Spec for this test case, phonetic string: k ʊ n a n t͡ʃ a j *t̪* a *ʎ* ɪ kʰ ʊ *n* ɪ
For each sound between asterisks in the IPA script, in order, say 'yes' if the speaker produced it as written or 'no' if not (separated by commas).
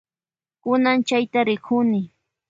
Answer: yes, no, yes